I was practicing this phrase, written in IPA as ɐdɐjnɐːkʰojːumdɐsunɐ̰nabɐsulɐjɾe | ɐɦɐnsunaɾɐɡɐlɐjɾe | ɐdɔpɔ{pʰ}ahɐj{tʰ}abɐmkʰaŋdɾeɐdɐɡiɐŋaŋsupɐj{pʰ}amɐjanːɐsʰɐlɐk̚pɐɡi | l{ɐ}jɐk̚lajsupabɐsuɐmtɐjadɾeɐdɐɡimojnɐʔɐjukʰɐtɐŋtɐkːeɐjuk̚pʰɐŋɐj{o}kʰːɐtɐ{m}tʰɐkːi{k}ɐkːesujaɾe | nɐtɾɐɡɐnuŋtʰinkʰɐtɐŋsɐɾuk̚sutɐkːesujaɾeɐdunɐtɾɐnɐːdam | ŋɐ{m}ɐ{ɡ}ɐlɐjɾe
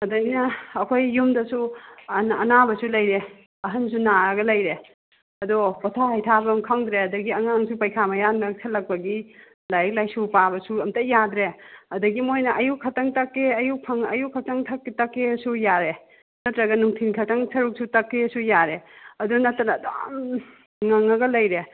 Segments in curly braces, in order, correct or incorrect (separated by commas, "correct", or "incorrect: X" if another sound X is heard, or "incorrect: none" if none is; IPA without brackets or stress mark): incorrect: tʰ, correct, incorrect: kʰ, incorrect: a, incorrect: u, incorrect: ŋ, incorrect: t, incorrect: ŋ, correct